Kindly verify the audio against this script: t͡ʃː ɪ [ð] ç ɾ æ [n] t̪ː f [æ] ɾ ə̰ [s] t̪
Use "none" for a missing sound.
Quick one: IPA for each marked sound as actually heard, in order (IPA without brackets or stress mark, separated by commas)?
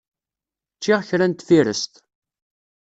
ʁ, n, i, s